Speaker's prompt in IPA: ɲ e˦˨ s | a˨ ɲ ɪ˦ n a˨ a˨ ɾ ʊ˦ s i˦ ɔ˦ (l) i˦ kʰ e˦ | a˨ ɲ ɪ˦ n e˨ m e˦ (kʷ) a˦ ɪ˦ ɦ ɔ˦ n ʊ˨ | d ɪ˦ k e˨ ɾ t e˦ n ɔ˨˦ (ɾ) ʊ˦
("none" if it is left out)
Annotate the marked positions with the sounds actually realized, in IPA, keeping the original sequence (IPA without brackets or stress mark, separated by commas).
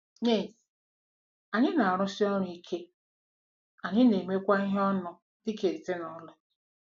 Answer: ɾ, kʷ, l